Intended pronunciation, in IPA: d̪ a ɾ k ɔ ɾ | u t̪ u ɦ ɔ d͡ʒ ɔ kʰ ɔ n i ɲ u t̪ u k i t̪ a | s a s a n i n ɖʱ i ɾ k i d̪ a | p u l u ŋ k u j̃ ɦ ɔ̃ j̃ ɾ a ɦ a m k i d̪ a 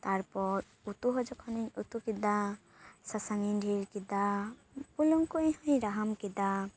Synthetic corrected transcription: t̪ a ɾ p ɔ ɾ | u t̪ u ɦ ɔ d͡ʒ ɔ kʰ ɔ n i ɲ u t̪ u k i d̪ a | s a s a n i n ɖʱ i ɾ k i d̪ a | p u l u ŋ k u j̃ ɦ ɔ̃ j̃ ɾ a ɦ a m k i d̪ a